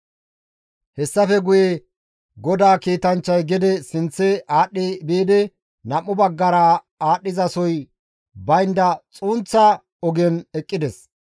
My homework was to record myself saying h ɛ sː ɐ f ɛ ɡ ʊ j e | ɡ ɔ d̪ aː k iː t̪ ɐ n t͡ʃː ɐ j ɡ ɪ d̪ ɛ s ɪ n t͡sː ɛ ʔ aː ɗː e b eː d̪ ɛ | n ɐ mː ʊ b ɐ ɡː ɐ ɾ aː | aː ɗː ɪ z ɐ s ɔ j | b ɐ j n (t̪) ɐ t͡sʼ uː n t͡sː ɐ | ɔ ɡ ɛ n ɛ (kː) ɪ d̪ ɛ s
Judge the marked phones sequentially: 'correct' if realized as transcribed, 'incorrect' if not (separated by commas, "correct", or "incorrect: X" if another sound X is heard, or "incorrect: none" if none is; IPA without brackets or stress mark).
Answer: incorrect: d̪, incorrect: kʼː